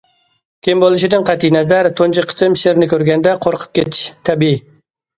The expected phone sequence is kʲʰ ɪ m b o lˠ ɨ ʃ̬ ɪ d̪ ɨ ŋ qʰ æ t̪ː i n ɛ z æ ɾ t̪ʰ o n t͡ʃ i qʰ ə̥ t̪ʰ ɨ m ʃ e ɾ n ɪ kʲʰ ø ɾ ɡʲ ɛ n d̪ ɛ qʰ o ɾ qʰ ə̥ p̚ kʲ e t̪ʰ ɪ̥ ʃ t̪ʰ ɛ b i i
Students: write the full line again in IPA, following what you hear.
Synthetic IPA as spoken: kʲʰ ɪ m b o lˠ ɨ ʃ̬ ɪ d̪ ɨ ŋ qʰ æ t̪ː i n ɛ z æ ɾ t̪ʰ o n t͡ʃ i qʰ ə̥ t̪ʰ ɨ m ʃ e ɾ n ɪ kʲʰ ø ɾ ɡʲ ɛ n d̪ ɛ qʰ o ɾ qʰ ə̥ p̚ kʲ e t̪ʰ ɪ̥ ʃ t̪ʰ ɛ b i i